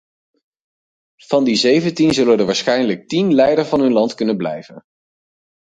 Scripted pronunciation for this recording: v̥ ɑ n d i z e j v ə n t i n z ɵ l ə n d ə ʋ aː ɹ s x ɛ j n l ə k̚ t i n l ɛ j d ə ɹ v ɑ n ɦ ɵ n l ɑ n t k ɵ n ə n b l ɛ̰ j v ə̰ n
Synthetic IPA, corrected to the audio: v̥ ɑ n d i z e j v ə n t i n z ɵ l ə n d ə ʋ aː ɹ s χ ɛ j n l ə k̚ t i n l ɛ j d ə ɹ v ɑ n ɦ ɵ n l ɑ n t k ɵ n ə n b l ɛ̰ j v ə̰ n